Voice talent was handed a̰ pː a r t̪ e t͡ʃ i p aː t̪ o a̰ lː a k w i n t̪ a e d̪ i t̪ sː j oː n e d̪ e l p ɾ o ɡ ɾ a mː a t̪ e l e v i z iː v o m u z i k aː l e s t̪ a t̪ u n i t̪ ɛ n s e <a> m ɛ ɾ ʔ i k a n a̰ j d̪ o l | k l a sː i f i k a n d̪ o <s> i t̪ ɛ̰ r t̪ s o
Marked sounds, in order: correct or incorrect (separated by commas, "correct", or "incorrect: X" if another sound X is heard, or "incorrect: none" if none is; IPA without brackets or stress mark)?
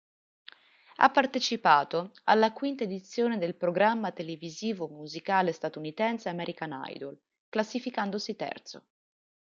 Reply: correct, correct